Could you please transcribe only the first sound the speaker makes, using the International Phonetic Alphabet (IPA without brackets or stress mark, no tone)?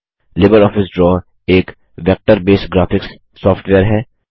l